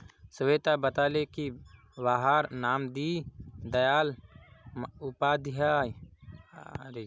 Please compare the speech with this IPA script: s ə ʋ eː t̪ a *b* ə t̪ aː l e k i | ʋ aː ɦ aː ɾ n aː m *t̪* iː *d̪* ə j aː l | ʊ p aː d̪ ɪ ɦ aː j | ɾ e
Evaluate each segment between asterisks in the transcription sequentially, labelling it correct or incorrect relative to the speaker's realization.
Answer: correct, incorrect: d̪, correct

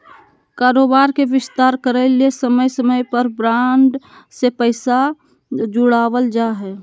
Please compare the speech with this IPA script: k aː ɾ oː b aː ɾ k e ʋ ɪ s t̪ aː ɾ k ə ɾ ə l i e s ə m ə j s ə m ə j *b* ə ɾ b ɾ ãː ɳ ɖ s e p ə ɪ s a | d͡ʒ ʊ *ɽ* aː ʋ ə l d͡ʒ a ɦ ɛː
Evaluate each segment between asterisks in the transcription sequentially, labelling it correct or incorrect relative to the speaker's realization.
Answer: incorrect: p, correct

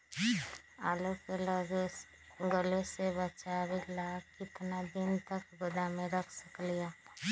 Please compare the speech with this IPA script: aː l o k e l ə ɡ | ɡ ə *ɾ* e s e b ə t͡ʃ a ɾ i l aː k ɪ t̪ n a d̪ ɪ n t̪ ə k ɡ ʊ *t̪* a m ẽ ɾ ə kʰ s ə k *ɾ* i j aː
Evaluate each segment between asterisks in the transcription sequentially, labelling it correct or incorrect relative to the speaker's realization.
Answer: incorrect: l, incorrect: d̪, incorrect: l

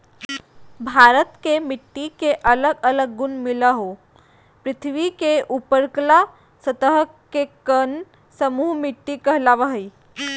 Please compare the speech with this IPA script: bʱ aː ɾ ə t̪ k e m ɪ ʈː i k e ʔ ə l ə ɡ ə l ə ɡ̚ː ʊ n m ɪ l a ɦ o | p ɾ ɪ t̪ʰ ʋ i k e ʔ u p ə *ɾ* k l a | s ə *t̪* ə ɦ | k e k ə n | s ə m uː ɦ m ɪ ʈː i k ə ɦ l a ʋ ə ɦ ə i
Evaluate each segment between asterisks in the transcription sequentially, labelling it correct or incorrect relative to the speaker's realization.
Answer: correct, correct

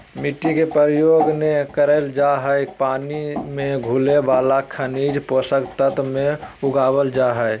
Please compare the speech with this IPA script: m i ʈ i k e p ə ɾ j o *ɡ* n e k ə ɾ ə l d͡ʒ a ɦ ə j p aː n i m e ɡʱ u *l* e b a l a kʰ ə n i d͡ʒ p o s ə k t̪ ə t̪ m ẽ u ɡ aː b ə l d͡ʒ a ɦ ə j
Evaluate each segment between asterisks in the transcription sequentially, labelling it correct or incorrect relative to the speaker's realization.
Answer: correct, correct

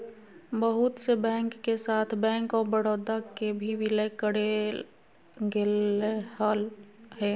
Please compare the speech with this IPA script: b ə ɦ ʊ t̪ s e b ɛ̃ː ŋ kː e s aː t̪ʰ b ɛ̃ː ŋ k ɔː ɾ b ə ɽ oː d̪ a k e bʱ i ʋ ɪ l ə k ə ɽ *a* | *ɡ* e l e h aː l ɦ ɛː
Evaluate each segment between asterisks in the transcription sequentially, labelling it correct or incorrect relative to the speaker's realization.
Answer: incorrect: e, correct

